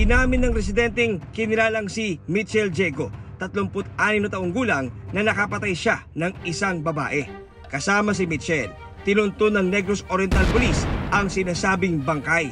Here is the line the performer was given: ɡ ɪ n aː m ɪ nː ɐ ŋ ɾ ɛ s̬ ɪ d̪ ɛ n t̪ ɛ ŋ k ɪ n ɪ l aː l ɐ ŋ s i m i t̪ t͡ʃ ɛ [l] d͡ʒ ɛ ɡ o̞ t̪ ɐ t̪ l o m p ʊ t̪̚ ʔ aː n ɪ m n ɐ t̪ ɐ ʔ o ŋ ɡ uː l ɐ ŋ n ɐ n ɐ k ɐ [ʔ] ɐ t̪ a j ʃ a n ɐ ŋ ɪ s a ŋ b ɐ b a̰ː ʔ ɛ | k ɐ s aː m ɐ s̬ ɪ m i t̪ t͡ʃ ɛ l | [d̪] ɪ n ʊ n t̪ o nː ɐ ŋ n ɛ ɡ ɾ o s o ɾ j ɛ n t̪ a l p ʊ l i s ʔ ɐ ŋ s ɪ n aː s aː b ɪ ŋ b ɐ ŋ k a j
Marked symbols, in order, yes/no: yes, no, no

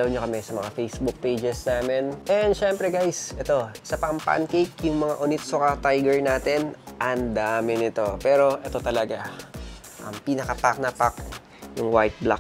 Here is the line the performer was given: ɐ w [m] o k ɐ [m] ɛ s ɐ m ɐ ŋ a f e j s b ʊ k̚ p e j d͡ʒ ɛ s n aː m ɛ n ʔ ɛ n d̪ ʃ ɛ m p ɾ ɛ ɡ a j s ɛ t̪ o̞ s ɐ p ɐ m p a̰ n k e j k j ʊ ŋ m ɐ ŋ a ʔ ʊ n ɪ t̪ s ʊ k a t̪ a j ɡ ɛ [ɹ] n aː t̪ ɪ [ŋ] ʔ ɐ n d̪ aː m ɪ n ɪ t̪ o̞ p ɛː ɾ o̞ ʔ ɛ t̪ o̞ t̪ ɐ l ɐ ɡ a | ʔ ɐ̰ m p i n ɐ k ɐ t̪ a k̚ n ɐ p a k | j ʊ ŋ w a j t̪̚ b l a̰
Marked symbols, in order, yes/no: no, yes, yes, no

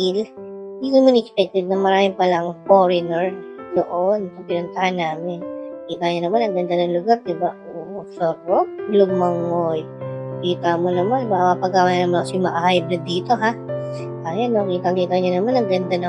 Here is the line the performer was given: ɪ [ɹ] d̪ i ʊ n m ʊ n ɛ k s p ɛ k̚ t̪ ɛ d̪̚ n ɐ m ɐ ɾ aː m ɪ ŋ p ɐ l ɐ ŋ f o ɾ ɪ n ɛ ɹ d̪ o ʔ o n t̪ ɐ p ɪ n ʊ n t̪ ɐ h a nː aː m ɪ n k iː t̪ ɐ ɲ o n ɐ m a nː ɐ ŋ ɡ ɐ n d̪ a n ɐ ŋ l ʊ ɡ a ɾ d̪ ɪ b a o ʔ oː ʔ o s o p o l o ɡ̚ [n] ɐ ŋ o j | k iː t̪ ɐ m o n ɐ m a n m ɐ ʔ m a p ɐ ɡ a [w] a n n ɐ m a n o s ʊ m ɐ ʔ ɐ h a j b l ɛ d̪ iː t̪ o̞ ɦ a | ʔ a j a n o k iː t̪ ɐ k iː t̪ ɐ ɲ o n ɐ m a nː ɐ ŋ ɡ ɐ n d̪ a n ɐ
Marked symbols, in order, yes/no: no, no, yes

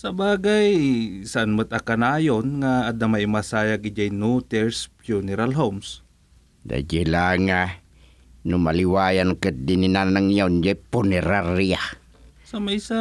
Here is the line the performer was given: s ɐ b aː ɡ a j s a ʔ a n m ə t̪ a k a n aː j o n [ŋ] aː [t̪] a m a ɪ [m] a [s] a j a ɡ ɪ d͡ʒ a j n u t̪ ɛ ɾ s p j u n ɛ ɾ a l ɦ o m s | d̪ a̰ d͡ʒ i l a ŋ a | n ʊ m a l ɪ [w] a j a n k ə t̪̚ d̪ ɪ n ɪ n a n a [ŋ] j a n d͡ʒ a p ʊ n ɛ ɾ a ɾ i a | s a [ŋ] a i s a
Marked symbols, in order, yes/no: yes, no, yes, yes, yes, yes, no

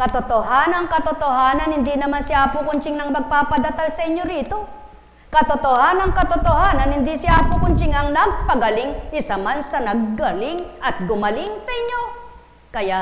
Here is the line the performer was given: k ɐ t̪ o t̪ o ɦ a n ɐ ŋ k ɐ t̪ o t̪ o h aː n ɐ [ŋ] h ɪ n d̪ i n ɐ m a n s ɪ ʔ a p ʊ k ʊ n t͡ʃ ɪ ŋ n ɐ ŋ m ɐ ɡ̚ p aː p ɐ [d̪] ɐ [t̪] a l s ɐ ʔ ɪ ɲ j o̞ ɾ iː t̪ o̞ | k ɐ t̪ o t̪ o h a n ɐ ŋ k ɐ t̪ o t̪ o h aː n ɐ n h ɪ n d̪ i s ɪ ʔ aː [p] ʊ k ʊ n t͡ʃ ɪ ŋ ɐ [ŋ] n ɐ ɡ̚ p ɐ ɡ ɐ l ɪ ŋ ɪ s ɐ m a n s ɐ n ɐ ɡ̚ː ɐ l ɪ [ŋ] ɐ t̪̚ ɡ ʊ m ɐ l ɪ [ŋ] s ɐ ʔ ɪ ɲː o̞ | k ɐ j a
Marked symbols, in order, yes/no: no, yes, yes, yes, yes, yes, yes

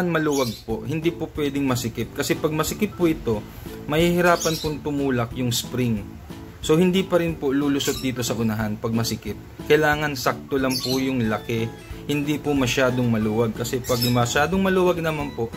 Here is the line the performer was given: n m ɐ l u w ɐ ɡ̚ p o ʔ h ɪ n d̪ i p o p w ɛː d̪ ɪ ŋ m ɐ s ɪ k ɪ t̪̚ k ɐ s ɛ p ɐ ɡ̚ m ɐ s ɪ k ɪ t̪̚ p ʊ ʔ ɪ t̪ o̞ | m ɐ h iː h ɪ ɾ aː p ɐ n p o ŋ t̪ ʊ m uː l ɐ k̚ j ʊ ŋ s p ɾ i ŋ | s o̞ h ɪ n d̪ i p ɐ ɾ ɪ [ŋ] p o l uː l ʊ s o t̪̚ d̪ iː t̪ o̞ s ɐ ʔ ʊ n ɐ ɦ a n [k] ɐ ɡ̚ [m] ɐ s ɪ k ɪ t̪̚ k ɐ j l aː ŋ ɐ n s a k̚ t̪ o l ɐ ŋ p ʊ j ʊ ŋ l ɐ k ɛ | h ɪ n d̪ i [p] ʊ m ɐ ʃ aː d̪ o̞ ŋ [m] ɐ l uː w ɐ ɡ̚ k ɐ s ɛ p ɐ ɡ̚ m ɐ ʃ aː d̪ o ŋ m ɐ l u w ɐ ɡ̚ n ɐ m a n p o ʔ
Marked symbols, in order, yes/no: no, no, yes, yes, yes

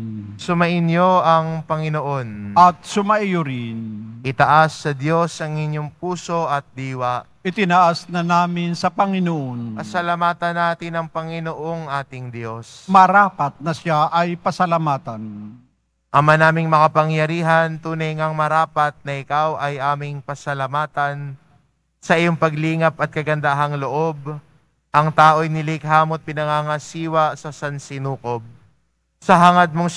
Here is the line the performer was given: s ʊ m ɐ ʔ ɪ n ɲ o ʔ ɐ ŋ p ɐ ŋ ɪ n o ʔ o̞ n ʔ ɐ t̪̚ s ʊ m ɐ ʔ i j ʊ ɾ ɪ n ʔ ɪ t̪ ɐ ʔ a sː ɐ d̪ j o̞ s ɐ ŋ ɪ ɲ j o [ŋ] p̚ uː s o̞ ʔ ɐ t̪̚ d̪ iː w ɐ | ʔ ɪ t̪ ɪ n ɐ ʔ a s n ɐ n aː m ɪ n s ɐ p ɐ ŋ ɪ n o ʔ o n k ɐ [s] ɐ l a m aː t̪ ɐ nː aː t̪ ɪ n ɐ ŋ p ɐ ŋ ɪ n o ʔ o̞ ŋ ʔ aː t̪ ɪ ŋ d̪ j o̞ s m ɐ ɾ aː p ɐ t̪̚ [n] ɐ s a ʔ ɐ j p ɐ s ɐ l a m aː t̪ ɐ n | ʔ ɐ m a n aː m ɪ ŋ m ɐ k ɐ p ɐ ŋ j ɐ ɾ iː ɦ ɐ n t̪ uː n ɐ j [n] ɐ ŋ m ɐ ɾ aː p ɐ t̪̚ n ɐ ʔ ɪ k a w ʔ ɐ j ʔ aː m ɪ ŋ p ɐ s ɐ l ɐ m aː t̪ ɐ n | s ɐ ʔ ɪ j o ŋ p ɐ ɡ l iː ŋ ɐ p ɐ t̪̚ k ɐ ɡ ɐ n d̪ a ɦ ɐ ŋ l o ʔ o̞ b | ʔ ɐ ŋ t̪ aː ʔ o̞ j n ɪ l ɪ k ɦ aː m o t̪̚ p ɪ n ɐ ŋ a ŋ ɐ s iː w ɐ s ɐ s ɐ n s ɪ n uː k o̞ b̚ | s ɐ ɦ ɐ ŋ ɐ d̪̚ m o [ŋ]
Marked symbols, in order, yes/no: yes, yes, yes, no, yes

